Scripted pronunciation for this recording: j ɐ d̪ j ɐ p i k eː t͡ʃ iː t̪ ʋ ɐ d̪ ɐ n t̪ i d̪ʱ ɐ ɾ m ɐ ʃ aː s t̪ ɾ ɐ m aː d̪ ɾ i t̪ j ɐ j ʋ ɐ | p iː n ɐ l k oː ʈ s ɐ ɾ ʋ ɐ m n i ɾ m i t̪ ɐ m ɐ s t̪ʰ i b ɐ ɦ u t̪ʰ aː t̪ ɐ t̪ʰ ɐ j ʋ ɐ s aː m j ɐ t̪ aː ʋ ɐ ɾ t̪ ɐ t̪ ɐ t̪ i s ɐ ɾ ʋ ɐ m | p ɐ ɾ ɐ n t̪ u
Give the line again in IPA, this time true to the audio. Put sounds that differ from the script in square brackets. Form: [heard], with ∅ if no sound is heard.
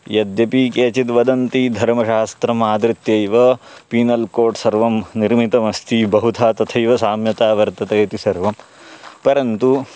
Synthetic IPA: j ɐ d̪ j ɐ p i k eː t͡ʃ [i] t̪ ʋ ɐ d̪ ɐ n t̪ i d̪ʱ ɐ ɾ m ɐ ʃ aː s t̪ ɾ ɐ m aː d̪ ɾ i t̪ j ɐ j ʋ ɐ | p iː n ɐ l k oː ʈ s ɐ ɾ ʋ ɐ m n i ɾ m i t̪ ɐ m ɐ s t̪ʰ i b ɐ ɦ u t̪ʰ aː t̪ ɐ t̪ʰ ɐ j ʋ ɐ s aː m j ɐ t̪ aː ʋ ɐ ɾ t̪ ɐ t̪ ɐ t̪ i s ɐ ɾ ʋ ɐ m | p ɐ ɾ ɐ n t̪ u

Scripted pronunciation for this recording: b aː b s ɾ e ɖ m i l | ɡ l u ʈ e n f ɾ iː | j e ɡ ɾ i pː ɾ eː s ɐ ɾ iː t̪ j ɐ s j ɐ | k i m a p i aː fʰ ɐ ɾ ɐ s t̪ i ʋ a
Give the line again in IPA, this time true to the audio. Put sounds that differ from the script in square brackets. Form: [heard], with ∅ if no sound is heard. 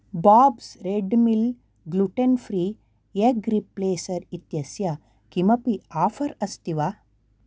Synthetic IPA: b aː b s ɾ e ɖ m i l | ɡ l u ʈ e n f ɾ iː | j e ɡ ɾ i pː [l] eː s ɐ ɾ [i] t̪ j ɐ s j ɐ | k i m [ɐ] p i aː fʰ ɐ ɾ ɐ s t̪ i ʋ a

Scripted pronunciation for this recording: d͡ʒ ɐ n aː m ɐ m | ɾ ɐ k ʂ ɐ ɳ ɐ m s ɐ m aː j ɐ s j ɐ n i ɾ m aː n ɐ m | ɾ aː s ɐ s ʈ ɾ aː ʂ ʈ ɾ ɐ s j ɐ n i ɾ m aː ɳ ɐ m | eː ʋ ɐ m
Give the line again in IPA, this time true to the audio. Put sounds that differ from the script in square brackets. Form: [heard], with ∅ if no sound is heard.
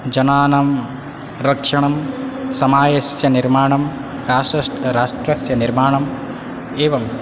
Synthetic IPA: d͡ʒ ɐ n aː [n] ɐ m | ɾ ɐ k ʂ ɐ ɳ ɐ m s ɐ m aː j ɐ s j ɐ n i ɾ m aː [ɳ] ɐ m | ɾ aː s ɐ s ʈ ɾ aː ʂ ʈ ɾ ɐ s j ɐ n i ɾ m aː ɳ ɐ m | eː ʋ ɐ m

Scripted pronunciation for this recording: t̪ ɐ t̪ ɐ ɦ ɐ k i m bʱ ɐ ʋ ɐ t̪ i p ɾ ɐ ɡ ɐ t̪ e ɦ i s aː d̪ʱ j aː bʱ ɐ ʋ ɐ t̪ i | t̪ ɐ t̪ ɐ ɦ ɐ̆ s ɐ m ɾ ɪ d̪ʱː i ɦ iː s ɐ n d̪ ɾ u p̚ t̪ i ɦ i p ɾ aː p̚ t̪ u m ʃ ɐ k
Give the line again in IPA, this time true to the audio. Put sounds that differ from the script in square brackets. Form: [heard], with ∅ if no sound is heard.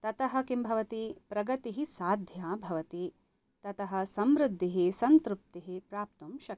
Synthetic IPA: t̪ ɐ t̪ ɐ ɦ ɐ k i m bʱ ɐ ʋ ɐ t̪ i p ɾ ɐ ɡ ɐ t̪ [i] ɦ i s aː d̪ʱ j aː bʱ ɐ ʋ ɐ t̪ i | t̪ ɐ t̪ ɐ ɦ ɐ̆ s ɐ m ɾ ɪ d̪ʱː i ɦ [i] s ɐ n [t̪] ɾ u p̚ t̪ i ɦ i p ɾ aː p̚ t̪ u m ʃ ɐ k

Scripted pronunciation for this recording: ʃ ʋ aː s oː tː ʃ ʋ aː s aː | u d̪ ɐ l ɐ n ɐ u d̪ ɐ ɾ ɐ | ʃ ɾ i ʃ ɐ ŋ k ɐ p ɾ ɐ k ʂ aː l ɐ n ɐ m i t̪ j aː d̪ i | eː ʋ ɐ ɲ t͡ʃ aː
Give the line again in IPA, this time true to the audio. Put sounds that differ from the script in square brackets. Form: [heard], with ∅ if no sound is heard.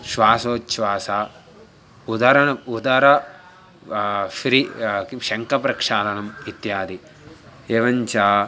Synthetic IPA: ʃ ʋ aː s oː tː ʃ ʋ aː s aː | u d̪ ɐ [ɾ] ɐ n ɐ u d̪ ɐ ɾ ɐ | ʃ ɾ i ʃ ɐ ŋ k ɐ p ɾ ɐ k ʂ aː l ɐ n ɐ m i t̪ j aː d̪ i | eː ʋ ɐ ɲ t͡ʃ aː

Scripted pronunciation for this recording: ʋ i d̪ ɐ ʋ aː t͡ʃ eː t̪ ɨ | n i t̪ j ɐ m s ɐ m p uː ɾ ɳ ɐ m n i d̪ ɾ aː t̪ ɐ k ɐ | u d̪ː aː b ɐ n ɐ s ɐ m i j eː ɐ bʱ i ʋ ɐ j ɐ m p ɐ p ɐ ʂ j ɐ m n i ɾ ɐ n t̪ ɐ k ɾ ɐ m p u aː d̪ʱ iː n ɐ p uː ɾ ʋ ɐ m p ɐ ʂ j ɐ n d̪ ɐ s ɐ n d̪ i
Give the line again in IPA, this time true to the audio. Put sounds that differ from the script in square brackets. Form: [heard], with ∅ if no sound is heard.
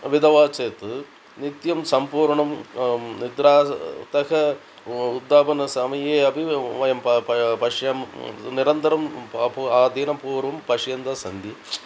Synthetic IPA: ʋ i d̪ ɐ ʋ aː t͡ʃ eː t̪ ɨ | n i t̪ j ɐ m s ɐ m p uː ɾ ɳ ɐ m n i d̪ ɾ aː t̪ ɐ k ɐ | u d̪ː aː b ɐ n ɐ s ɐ m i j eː ɐ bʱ i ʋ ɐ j ɐ m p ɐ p ɐ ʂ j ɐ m n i ɾ ɐ n t̪ ɐ [∅] ɾ ɐ m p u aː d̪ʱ iː n ɐ p uː ɾ ʋ ɐ m p ɐ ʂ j ɐ n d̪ ɐ s ɐ n d̪ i

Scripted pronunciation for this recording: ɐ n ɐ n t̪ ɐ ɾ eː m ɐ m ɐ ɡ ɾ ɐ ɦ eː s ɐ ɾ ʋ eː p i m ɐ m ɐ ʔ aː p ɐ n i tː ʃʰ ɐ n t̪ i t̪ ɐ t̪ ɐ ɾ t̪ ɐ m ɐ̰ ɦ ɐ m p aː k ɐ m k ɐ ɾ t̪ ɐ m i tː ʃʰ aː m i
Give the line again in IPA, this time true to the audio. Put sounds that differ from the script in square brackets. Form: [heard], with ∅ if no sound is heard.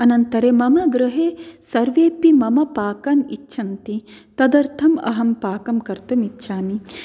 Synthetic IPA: ɐ n ɐ n t̪ ɐ ɾ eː m ɐ m ɐ ɡ ɾ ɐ ɦ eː s ɐ ɾ ʋ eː p i m ɐ m ɐ [p] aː [k] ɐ n i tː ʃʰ ɐ n t̪ i t̪ ɐ [d̪] ɐ ɾ [t̪ʰ] ɐ m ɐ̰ ɦ ɐ m p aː k ɐ m k ɐ ɾ t̪ ɐ m i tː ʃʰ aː m i

